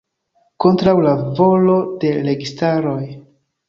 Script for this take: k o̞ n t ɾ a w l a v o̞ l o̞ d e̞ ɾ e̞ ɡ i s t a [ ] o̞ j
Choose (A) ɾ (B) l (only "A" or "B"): A